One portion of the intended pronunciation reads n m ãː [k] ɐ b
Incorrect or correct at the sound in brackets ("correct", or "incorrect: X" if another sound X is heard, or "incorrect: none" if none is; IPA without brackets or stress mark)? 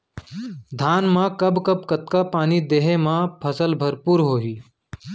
correct